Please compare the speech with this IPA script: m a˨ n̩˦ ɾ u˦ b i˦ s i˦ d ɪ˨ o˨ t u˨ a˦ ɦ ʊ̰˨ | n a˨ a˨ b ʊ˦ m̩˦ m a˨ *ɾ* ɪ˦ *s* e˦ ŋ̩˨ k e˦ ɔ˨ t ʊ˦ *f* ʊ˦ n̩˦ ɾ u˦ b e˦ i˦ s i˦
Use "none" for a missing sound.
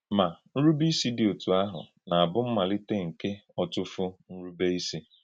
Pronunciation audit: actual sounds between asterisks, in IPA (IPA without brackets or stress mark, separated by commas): l, t, f